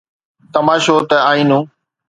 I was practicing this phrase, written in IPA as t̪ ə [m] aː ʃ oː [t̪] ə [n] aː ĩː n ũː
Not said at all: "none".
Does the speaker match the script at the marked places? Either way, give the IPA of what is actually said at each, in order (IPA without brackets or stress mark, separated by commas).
m, t̪, none